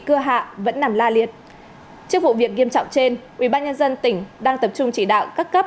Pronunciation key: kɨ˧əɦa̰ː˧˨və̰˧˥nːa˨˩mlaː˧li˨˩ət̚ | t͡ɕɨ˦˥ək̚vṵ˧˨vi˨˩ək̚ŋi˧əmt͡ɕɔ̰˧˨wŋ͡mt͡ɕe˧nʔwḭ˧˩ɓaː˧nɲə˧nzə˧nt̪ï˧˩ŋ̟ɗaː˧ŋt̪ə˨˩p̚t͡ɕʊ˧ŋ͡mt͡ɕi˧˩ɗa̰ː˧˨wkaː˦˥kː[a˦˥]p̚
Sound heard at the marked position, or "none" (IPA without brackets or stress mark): ə˦˥